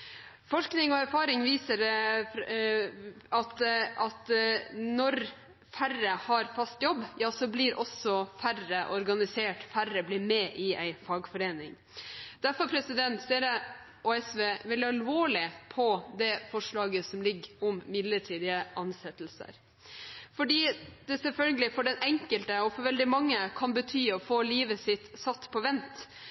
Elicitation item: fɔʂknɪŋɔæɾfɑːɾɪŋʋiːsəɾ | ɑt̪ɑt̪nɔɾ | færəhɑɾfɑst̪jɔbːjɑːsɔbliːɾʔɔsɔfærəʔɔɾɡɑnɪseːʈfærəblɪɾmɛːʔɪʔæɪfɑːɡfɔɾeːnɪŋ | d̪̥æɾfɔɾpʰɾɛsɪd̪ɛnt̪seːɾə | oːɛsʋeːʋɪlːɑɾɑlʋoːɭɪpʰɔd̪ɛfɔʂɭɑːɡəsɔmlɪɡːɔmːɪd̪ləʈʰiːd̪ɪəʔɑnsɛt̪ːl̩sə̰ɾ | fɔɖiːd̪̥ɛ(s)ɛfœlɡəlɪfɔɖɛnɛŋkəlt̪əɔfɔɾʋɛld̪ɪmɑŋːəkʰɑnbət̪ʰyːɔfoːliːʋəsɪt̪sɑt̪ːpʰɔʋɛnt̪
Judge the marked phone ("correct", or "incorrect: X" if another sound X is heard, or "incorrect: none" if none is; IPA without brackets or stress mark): correct